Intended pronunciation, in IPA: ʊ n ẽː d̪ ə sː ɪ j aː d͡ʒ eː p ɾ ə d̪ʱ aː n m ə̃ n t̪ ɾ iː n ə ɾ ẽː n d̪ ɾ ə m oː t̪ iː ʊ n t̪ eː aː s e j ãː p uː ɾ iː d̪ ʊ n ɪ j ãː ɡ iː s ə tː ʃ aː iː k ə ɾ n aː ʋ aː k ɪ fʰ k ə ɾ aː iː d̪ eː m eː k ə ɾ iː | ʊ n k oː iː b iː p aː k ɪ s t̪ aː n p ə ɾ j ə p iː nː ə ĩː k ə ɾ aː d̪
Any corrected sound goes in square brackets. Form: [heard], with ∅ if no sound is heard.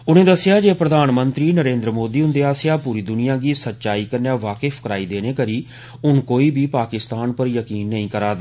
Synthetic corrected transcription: ʊ n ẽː d̪ ə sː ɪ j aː d͡ʒ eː p ɾ ə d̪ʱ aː n m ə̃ n t̪ ɾ iː n ə ɾ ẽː n d̪ ɾ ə m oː [d̪] iː ʊ n [d̪] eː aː s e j [aː] p uː ɾ iː d̪ ʊ n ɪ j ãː ɡ iː s ə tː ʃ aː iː k ə ɾ n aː ʋ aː k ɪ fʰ k ə ɾ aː iː d̪ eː [n] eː k ə ɾ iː | ʊ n k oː iː b iː p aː k ɪ s t̪ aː n p ə ɾ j ə [k] iː nː ə ĩː k ə ɾ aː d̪